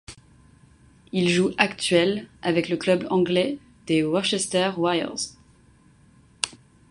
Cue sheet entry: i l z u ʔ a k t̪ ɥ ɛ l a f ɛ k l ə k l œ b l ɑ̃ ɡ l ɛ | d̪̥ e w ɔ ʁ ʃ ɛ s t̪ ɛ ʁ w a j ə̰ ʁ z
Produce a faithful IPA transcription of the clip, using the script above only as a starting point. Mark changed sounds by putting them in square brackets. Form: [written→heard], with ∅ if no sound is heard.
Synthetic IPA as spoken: i l [z→ʒ] u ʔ a k t̪ ɥ ɛ l a [f→v] ɛ k l ə k l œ b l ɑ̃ ɡ l ɛ | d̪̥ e w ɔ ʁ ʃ ɛ s t̪ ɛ ʁ w a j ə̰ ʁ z